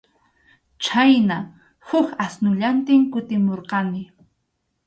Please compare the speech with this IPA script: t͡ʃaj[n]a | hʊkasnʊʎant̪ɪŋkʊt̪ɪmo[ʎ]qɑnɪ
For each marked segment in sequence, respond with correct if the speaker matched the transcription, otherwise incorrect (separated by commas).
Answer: correct, incorrect